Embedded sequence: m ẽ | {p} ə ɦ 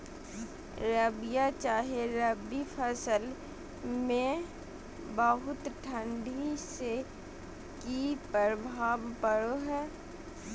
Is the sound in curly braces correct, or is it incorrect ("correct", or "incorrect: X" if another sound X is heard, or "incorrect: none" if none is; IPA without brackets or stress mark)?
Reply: incorrect: b